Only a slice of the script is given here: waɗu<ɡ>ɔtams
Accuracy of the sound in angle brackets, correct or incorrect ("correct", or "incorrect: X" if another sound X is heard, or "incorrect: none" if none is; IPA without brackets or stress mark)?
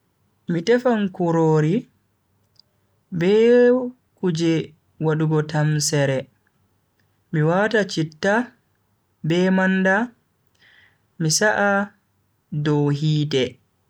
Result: correct